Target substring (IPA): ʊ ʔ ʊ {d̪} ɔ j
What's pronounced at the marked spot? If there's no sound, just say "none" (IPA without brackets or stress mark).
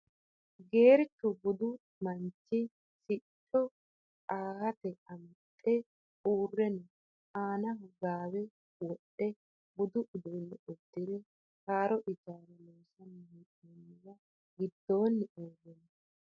d̪